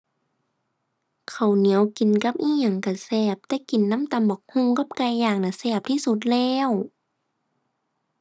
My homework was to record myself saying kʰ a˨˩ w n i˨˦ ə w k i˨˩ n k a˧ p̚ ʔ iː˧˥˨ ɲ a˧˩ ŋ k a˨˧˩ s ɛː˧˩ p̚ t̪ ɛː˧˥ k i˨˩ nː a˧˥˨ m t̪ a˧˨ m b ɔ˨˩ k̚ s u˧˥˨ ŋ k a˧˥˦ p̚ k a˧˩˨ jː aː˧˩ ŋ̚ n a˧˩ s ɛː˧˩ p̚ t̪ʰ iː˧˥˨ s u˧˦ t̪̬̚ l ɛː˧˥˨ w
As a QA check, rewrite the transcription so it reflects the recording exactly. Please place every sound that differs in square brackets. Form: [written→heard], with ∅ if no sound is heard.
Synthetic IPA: kʰ a˨˩ w n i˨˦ ə w k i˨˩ n k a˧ p̚ ʔ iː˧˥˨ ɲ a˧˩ ŋ k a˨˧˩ s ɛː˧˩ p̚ t̪ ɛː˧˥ k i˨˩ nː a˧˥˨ m t̪ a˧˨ m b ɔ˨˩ k̚ [s→h] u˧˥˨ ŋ k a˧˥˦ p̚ k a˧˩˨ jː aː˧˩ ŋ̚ n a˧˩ s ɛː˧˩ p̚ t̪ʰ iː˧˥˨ s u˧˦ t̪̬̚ l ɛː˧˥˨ w